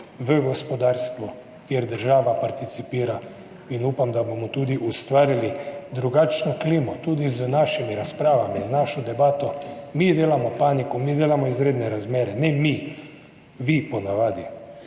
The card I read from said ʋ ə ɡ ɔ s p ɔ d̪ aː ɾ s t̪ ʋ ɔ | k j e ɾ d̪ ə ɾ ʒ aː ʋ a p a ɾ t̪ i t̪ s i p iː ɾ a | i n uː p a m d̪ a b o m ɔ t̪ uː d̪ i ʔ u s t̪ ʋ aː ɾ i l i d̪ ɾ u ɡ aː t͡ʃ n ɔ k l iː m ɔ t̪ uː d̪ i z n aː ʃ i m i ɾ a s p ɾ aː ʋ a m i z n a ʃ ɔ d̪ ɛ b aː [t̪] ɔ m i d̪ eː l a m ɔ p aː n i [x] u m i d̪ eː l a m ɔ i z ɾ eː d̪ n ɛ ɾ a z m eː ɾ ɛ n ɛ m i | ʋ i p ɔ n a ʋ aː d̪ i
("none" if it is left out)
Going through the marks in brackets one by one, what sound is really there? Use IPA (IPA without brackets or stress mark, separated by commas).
t̪, k